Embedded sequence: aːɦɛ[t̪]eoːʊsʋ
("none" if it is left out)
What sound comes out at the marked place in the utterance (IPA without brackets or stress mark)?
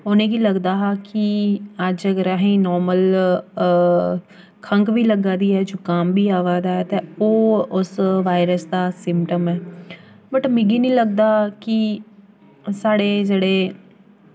t̪